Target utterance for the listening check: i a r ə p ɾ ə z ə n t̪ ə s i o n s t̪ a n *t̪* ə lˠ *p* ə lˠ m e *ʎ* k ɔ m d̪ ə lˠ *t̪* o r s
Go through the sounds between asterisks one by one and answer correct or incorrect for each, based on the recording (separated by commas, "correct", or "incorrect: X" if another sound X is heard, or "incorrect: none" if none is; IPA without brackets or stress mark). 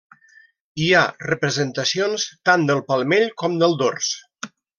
incorrect: d̪, correct, correct, incorrect: d̪